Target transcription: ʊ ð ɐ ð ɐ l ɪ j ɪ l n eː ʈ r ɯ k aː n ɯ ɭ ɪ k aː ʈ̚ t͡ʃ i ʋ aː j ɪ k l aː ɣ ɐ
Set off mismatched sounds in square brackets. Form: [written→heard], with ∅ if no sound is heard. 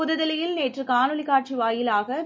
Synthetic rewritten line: ʊ ð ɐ ð ɐ l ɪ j ɪ l n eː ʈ r ɯ k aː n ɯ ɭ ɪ k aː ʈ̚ t͡ʃ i ʋ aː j ɪ [k→∅] l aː ɣ ɐ